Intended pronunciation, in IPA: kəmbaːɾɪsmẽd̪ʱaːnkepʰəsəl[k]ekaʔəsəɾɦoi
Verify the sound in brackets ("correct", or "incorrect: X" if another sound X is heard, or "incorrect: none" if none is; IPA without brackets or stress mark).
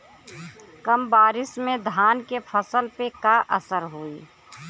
incorrect: p